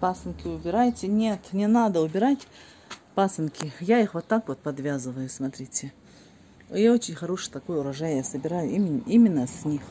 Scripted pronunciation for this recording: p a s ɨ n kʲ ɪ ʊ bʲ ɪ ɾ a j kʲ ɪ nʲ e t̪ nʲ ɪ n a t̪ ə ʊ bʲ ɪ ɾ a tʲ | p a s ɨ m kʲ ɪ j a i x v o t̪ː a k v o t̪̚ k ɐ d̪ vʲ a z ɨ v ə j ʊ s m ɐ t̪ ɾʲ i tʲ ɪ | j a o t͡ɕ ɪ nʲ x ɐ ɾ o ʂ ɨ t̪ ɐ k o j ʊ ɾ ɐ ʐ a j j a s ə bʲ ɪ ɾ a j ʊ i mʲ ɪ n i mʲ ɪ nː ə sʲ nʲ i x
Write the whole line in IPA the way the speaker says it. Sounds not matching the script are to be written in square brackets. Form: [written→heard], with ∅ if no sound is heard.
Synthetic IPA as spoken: p a s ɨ n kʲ ɪ ʊ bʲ ɪ ɾ a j [kʲ→tʲ] ɪ nʲ e t̪ nʲ ɪ n a [t̪→d̪] ə ʊ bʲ ɪ ɾ a tʲ | p a s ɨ [m→n] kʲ ɪ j a i x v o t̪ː a k v o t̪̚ [k→p] ɐ d̪ vʲ a z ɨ v ə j ʊ s m ɐ t̪ ɾʲ i tʲ ɪ | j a o t͡ɕ ɪ nʲ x ɐ ɾ o ʂ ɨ t̪ ɐ k o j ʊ ɾ ɐ ʐ a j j a s ə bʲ ɪ ɾ a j ʊ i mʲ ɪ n i mʲ ɪ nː ə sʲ nʲ i x